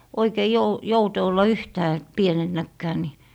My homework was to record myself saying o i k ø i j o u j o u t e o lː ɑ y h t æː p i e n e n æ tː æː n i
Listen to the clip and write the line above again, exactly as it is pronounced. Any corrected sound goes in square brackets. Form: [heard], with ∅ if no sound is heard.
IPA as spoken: o i k [e] i j o u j o u t e o lː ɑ y h t æː p i e n e [nː] æ [kː] æː n i